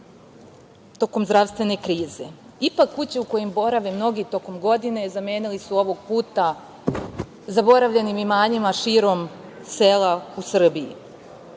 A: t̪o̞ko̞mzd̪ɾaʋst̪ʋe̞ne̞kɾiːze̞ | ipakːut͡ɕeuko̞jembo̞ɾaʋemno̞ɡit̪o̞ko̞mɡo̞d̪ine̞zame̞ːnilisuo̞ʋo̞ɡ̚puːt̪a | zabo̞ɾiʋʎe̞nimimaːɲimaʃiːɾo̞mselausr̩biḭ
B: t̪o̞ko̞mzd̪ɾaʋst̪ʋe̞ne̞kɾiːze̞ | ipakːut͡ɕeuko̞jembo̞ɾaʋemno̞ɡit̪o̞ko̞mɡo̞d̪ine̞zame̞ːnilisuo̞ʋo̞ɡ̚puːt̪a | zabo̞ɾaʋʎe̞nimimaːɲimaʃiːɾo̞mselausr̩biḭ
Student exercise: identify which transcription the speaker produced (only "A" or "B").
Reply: B